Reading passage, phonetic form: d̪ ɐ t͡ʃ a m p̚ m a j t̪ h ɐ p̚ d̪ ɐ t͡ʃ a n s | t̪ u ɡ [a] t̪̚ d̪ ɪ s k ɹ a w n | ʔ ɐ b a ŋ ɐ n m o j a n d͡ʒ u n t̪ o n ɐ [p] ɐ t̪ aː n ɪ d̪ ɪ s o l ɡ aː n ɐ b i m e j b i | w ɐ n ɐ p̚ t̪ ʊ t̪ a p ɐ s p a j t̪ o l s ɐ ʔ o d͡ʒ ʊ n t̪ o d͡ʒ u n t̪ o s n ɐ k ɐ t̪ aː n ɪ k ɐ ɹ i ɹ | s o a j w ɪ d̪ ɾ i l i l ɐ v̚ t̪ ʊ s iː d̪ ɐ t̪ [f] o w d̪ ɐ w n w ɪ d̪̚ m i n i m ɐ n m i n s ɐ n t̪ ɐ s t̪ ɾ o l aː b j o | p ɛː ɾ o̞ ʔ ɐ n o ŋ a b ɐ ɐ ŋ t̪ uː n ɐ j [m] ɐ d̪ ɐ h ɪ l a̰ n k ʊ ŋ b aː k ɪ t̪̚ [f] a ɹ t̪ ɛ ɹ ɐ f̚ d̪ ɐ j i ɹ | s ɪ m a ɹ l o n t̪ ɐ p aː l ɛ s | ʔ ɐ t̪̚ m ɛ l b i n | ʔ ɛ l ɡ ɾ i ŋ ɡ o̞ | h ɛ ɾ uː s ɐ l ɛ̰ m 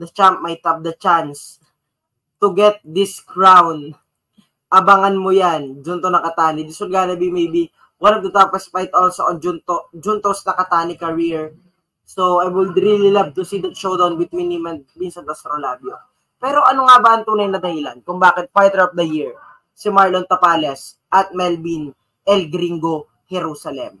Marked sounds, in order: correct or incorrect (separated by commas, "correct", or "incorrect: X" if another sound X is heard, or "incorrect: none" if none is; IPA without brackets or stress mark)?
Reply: incorrect: ɛ, incorrect: k, incorrect: ʃ, incorrect: n, correct